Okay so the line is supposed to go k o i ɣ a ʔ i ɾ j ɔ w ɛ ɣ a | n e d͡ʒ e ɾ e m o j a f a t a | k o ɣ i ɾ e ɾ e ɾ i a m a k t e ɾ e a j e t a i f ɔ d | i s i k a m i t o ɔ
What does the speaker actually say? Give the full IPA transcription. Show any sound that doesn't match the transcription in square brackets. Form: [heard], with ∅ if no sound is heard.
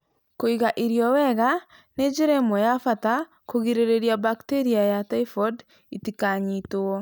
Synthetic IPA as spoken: k o i ɣ a ʔ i ɾ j ɔ w ɛ ɣ a | n e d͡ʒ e ɾ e m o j a f a t a | k o ɣ i ɾ e ɾ e ɾ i a [b] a k t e ɾ [i] a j [a] t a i f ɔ d | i [t] i k a [ɲ] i t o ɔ